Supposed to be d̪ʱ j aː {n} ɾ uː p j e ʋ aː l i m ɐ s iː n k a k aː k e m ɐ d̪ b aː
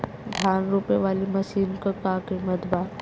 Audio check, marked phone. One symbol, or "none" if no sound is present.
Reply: n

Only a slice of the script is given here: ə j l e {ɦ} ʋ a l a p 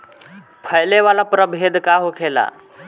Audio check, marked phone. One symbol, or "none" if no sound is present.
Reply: none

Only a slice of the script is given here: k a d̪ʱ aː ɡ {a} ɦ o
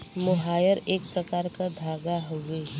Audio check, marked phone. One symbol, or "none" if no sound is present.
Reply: a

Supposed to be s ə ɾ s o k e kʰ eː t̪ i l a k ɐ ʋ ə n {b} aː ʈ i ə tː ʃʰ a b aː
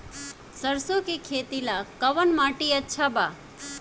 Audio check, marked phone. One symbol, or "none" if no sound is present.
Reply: m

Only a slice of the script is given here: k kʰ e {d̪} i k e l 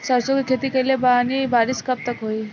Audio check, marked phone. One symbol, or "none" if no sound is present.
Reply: t̪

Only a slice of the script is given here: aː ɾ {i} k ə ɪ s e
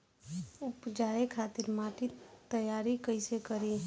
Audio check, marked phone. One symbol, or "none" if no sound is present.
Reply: i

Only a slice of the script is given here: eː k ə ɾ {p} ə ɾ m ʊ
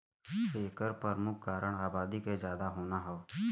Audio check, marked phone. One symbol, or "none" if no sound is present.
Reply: p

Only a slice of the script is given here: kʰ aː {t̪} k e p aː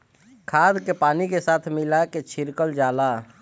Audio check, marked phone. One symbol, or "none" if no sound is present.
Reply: d̪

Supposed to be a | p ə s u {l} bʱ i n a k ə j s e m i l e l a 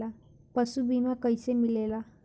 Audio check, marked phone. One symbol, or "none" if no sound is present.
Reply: none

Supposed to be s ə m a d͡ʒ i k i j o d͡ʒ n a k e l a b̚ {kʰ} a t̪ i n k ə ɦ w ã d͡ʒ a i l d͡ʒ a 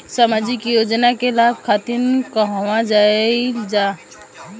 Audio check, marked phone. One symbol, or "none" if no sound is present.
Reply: kʰ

